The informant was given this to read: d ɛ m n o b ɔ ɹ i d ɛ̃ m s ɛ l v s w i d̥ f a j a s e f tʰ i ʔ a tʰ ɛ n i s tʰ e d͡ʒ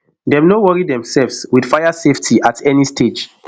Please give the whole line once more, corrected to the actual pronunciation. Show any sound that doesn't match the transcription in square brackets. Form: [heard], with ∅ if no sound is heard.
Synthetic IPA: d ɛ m n o [w] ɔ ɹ i d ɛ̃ m s ɛ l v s w i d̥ f a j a s e f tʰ i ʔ a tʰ ɛ n i s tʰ e d͡ʒ